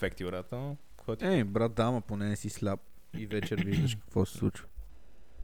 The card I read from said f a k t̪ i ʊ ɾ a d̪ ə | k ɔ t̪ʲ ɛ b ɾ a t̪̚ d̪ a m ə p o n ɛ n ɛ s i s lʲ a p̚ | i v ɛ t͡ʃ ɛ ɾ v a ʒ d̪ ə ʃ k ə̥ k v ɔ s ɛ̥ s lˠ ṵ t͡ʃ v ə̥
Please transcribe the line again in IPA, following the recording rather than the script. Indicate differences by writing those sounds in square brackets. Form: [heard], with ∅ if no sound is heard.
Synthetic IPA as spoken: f [ɛ] k t̪ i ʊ ɾ a [t̪] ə | k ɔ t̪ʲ ɛ b ɾ a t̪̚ d̪ a m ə p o n ɛ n ɛ s i s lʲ a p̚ | i v ɛ t͡ʃ ɛ ɾ v [i] ʒ d̪ ə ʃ k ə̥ k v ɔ s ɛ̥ s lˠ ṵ t͡ʃ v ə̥